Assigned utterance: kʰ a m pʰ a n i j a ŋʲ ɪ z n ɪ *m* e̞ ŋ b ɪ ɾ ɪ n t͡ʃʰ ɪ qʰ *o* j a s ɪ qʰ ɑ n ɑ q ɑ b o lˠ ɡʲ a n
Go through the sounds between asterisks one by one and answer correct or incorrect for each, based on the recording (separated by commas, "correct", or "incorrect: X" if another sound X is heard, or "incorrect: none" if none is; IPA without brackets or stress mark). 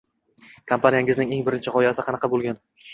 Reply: incorrect: ŋ, incorrect: ɒ